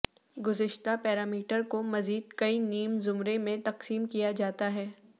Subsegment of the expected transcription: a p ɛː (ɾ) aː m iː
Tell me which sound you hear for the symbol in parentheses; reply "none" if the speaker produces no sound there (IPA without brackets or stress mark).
ɾ